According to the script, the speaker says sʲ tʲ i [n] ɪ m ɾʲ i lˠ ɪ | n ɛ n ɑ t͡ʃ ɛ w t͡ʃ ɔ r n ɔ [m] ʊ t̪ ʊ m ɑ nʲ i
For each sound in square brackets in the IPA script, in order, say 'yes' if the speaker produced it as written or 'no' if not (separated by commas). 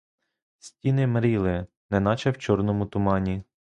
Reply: yes, yes